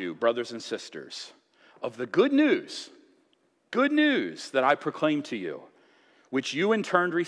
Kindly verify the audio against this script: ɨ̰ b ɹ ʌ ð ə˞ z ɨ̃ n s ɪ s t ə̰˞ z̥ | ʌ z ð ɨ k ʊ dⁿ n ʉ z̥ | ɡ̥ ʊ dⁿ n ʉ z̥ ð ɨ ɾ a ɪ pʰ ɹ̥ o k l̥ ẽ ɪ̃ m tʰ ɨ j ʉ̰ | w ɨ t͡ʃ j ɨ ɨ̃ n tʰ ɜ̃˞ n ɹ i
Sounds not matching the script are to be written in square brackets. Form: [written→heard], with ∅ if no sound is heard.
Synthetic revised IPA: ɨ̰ b ɹ ʌ ð ə˞ z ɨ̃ n s ɪ s t ə̰˞ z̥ | ʌ [z→v] ð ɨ [k→ɡ] ʊ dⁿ n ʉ z̥ | ɡ̥ ʊ dⁿ n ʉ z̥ ð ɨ ɾ a ɪ pʰ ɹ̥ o [k→kʰ] l̥ ẽ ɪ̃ m tʰ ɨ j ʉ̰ | w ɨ t͡ʃ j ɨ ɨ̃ n tʰ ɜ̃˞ n ɹ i